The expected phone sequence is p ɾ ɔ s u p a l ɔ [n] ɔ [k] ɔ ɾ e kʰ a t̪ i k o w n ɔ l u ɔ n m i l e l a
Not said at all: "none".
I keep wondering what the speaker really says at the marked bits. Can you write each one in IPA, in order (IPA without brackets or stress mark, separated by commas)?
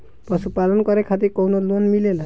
n, k